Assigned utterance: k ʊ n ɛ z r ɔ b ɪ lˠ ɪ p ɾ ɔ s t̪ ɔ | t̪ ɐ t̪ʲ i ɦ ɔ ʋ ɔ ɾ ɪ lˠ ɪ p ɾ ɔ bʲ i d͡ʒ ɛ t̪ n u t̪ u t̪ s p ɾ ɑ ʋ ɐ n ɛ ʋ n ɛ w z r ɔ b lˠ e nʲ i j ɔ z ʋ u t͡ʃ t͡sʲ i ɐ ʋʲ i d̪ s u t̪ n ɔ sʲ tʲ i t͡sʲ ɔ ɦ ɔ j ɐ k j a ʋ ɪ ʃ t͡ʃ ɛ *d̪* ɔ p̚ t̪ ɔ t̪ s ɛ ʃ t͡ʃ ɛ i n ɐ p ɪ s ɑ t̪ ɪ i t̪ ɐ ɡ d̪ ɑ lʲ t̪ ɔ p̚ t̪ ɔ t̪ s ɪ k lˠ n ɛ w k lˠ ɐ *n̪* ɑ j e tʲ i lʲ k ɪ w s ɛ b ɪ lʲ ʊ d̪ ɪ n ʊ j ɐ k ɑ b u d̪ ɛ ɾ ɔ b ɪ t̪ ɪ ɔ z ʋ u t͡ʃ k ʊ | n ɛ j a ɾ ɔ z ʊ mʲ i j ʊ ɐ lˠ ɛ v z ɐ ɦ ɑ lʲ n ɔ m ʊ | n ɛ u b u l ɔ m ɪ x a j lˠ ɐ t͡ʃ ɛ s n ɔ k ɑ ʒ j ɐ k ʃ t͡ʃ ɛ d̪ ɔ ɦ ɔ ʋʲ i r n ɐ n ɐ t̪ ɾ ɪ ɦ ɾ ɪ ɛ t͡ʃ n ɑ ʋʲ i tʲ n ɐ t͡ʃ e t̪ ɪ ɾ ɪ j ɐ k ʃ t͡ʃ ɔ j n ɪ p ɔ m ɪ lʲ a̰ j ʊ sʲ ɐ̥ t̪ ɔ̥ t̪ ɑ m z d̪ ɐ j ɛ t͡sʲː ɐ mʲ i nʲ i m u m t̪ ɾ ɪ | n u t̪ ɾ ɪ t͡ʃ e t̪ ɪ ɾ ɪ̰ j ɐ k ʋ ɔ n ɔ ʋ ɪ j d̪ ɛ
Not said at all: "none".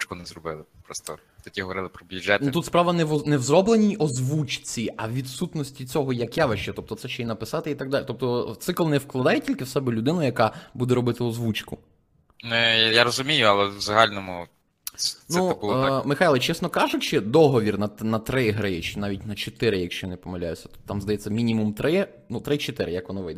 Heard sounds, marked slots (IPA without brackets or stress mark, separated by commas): t̪, d̪